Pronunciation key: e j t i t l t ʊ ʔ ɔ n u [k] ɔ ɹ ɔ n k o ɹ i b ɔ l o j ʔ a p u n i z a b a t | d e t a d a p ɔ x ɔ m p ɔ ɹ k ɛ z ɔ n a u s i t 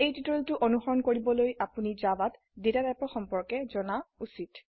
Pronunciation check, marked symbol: incorrect: x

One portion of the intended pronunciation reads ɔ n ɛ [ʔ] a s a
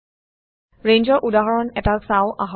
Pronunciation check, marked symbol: incorrect: t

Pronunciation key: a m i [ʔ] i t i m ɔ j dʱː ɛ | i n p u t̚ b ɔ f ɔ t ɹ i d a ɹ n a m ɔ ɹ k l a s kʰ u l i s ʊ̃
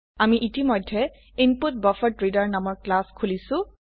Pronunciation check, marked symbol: correct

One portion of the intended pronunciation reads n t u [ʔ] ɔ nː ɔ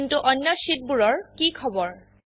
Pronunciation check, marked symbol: correct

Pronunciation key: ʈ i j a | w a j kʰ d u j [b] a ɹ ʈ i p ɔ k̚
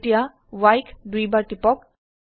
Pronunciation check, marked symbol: correct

